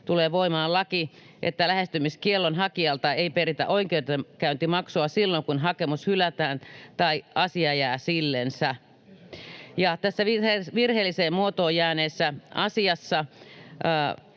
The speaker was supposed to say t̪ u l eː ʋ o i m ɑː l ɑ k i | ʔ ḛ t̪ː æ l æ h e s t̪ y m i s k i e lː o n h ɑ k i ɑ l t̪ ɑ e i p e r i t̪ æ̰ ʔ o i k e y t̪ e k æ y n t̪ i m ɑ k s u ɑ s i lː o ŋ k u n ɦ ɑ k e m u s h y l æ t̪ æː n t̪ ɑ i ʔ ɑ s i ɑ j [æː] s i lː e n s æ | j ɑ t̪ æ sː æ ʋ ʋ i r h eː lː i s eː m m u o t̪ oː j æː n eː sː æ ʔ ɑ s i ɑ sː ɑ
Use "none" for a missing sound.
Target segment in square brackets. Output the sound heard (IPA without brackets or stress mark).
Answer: æː